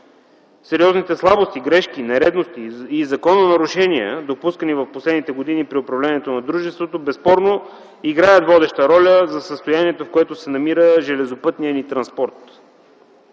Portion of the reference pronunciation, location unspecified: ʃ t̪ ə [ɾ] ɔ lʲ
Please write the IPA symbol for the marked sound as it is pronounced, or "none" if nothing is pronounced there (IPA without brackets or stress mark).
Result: ɾ